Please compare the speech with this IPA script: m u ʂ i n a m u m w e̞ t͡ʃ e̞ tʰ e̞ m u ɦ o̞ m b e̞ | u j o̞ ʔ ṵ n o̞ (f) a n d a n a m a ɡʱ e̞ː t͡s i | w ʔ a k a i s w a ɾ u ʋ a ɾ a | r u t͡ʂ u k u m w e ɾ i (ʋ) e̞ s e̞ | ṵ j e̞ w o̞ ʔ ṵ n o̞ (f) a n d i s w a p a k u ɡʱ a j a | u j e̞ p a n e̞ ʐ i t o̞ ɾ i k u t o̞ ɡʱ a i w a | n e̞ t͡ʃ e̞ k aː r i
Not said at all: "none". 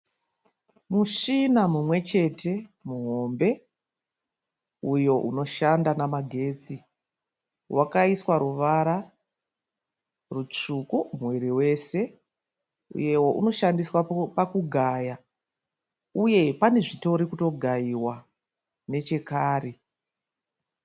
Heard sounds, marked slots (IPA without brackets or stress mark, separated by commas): ʃ, w, ʃ